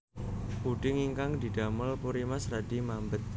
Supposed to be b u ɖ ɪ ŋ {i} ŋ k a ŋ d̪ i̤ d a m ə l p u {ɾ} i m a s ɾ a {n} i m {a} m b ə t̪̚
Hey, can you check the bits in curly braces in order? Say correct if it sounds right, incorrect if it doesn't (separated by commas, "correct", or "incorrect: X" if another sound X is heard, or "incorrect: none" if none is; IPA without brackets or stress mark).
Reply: correct, correct, incorrect: d, correct